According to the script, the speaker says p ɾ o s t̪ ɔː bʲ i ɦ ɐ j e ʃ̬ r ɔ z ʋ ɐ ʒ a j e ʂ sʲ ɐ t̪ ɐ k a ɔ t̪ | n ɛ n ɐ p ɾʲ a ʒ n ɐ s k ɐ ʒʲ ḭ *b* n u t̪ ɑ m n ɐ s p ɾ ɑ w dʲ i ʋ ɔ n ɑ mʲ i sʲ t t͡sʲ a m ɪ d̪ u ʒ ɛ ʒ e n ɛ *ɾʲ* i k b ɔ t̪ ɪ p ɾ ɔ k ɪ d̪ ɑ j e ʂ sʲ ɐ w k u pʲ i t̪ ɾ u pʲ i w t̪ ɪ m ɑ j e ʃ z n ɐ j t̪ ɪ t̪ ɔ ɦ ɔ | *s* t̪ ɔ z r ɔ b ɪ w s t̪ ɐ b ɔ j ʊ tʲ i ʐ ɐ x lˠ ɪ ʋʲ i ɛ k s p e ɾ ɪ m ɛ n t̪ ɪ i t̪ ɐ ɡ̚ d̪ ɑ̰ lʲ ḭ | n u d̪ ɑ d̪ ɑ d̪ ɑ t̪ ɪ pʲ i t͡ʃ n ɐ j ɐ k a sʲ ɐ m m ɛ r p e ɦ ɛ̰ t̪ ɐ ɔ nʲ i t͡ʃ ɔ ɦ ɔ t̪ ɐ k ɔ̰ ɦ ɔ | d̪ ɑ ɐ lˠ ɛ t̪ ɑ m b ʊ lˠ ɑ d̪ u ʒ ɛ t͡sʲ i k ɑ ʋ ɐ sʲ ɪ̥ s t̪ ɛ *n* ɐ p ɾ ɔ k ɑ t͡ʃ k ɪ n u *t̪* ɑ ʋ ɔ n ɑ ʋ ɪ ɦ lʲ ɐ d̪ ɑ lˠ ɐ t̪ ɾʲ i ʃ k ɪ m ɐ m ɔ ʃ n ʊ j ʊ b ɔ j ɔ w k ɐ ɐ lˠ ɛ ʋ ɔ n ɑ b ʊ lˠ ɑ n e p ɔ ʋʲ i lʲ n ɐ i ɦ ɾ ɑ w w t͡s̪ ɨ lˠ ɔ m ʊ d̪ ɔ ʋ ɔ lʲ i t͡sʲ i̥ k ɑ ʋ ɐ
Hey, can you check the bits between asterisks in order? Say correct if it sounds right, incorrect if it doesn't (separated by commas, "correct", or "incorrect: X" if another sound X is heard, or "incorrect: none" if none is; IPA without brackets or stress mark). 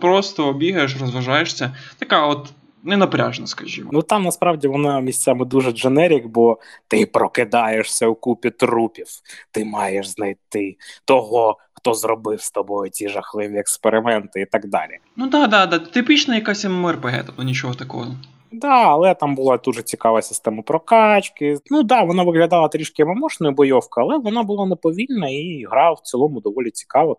incorrect: m, correct, incorrect: x, incorrect: m, incorrect: d̪